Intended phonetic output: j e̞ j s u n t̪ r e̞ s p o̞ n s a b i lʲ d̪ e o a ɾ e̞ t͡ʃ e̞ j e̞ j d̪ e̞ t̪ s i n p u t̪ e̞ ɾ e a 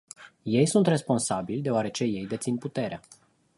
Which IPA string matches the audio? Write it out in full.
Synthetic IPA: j e̞ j s u n t̪ r e̞ s p o̞ n s a b i lʲ d̪ e o a ɾ e̞ t͡ʃ e̞ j e̞ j d̪ e̞ t̪ s i n p u t̪ e̞ ɾ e a